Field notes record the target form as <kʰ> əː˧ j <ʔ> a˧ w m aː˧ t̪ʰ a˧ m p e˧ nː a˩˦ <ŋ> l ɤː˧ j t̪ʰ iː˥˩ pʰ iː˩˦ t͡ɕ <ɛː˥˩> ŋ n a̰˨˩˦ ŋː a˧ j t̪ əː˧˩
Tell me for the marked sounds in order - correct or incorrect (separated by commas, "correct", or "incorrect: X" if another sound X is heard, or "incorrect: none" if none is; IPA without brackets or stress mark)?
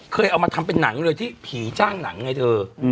correct, correct, correct, incorrect: aː˥˩